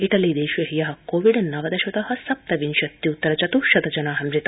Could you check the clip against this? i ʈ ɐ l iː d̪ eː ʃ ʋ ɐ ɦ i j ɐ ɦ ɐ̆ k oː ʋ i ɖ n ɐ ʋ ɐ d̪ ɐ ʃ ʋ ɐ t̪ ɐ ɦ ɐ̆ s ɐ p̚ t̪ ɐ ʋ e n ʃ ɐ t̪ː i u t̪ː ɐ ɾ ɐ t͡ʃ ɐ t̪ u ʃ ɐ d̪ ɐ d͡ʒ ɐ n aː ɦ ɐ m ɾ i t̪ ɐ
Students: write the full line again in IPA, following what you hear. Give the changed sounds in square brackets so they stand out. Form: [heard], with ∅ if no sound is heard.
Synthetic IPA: i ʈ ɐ l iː d̪ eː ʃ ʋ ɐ ɦ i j ɐ ɦ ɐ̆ k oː ʋ i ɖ n ɐ ʋ ɐ d̪ ɐ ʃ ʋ ɐ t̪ ɐ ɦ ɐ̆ s ɐ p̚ t̪ ɐ ʋ [i] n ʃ ɐ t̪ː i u t̪ː ɐ ɾ ɐ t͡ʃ ɐ t̪ u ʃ ɐ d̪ ɐ d͡ʒ ɐ n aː ɦ ɐ m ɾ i t̪ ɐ